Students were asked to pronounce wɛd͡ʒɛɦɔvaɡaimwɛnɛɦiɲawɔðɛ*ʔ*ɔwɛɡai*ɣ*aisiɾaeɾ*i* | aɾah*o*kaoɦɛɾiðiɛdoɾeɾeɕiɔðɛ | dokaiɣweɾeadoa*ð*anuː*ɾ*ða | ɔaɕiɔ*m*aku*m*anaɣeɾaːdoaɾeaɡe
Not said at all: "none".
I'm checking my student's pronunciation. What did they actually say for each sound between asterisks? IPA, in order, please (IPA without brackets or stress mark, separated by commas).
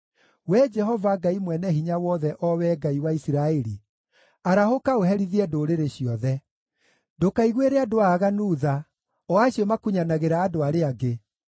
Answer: ʔ, w, i, o, ɣ, none, m, ɲ